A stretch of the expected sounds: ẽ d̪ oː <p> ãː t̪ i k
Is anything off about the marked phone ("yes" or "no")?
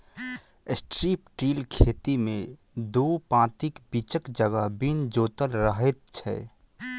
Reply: no